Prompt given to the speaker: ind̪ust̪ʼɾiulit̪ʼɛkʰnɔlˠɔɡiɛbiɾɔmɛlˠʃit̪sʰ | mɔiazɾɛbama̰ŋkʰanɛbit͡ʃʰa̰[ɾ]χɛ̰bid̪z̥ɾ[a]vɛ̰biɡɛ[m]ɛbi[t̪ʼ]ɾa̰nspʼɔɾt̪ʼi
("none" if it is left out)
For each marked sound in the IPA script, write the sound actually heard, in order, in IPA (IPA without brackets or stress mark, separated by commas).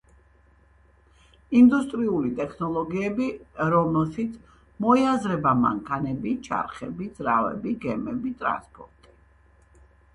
ɾ, a, m, t̪ʼ